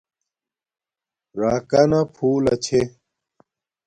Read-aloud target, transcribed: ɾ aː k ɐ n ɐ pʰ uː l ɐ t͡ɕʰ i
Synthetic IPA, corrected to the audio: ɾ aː k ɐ n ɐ pʰ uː l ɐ t͡ɕʰ e

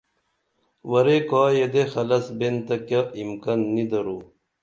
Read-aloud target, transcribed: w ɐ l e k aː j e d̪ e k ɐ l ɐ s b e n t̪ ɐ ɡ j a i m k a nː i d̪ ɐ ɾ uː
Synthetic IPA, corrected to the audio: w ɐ ɾ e k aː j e d̪ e x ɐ l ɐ s b e n t̪ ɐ k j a i m k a nː i d̪ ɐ ɾ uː

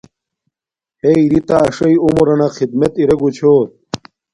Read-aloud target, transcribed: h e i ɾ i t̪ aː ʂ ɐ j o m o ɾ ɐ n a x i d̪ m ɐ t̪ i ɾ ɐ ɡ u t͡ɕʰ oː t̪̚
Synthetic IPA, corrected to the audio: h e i ɾ i t̪ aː ʂ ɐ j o m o ɾ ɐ n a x i d̪ m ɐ t̪ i ɾ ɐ ɡ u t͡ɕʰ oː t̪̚

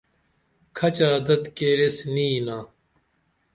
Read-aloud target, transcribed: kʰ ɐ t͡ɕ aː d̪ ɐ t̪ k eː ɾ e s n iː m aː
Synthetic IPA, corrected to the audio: kʰ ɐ t͡ɕ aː d̪ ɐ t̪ k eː ɾ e s n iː n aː

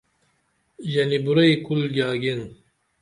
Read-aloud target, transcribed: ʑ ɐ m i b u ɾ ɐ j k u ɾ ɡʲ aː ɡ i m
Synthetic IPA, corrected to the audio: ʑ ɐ n i b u ɾ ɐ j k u l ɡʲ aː ɡ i n

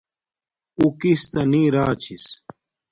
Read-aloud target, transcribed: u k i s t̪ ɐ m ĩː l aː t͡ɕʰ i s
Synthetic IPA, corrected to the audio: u k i s t̪ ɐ n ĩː ɾ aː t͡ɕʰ i s

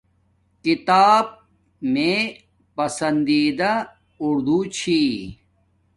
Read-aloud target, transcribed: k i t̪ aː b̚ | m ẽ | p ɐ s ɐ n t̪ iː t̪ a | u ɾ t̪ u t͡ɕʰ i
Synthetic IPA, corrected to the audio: k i t̪ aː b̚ | m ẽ | p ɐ s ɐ n d̪ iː d̪ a | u ɾ d̪ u t͡ɕʰ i

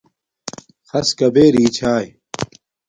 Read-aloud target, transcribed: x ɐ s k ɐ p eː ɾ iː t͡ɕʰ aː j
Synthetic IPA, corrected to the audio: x ɐ s k ɐ b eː ɾ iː t͡ɕʰ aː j

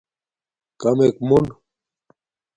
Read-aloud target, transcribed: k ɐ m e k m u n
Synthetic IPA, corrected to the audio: k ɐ m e k m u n

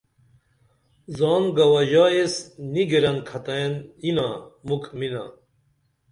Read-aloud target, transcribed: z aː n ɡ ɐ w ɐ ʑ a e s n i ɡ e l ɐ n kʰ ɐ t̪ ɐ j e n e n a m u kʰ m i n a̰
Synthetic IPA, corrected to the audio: z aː n ɡ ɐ w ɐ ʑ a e s n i ɡ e ɾ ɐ n kʰ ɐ t̪ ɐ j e n i n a m u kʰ m i n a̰

